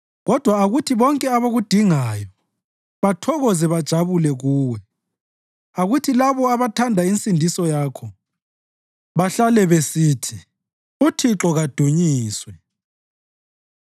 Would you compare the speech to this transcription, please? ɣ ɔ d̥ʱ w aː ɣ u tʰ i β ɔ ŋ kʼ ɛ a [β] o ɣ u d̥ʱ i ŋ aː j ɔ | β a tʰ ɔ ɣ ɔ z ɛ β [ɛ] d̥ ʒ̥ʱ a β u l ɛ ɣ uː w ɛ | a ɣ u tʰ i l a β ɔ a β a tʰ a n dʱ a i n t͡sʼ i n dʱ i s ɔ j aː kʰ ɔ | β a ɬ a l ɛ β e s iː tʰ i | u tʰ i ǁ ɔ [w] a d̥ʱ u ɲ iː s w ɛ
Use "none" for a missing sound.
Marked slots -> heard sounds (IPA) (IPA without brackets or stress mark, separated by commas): β, a, ɣ